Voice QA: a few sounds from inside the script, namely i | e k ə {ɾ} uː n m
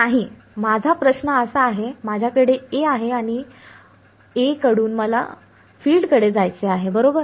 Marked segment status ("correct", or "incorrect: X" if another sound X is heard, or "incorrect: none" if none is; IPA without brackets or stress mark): incorrect: ɽ